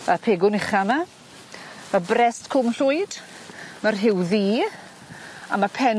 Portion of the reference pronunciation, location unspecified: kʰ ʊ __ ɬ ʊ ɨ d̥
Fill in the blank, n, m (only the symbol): m